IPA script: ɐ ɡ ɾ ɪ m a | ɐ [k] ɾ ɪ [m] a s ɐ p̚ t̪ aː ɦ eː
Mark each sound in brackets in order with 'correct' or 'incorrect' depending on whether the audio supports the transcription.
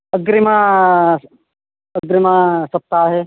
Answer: incorrect, correct

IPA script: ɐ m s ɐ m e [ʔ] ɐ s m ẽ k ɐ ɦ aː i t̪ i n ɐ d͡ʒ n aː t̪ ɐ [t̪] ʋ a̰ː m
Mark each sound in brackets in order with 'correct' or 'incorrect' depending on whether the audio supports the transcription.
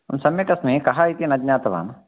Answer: incorrect, incorrect

